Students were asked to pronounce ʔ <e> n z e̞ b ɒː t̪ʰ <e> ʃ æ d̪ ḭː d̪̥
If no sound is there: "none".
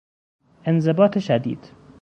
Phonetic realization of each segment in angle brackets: e, e

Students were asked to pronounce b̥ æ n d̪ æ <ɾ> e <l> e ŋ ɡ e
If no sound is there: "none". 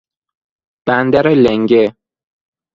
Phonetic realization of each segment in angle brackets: ɾ, l

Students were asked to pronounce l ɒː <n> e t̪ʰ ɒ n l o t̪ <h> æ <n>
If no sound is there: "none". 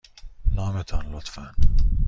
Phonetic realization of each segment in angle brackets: m, f, n

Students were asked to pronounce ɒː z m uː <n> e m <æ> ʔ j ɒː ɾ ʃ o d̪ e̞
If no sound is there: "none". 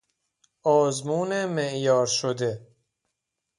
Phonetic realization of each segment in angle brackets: n, e

